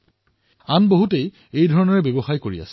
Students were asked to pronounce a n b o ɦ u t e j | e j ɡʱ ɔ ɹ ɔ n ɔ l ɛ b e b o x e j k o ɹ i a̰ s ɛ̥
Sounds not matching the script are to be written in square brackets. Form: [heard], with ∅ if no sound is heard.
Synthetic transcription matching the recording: a n b o ɦ u t e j | e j [dʱ] ɔ ɹ ɔ n ɔ [ɹ] ɛ b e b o x [a] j k o ɹ i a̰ s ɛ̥